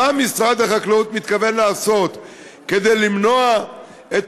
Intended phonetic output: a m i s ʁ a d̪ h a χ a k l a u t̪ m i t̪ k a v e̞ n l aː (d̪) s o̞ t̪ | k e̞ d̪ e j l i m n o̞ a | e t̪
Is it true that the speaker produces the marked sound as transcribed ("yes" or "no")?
no